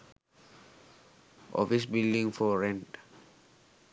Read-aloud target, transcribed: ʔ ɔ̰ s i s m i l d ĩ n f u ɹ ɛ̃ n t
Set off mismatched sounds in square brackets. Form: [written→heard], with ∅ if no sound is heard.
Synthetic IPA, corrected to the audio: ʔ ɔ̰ [s→f] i s [m→b] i l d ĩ [n→ŋ] f [u→ɔ] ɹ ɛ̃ n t